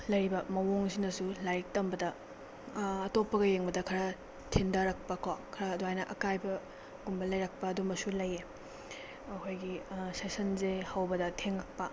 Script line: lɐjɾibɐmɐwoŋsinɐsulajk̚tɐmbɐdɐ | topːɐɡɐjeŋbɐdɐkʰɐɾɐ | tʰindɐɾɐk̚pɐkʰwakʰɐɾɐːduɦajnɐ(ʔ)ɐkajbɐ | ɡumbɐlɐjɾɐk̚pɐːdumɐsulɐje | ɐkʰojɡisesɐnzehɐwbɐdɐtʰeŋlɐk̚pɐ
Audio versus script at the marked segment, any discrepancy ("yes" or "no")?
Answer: no